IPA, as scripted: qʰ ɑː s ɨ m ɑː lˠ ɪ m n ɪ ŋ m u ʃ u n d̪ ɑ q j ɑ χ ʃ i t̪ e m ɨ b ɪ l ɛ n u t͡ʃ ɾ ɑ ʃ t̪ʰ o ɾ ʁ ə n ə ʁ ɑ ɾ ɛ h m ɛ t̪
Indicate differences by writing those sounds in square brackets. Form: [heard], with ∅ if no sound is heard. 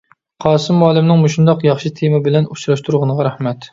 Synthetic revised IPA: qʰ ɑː s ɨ m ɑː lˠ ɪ m n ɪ ŋ m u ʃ u n d̪ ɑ q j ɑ χ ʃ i [t̪ʰ] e m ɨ b ɪ l ɛ n u t͡ʃ ɾ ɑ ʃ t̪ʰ [u] ɾ ʁ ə n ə ʁ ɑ ɾ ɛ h m ɛ t̪